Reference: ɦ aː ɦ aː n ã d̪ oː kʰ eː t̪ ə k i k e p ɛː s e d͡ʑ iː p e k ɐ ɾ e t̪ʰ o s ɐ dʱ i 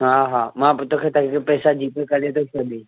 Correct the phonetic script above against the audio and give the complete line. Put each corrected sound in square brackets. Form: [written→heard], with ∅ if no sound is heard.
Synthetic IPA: ɦ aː ɦ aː [n→m] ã [d̪→t̪] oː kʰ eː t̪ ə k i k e p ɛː s [e→a] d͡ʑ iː p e k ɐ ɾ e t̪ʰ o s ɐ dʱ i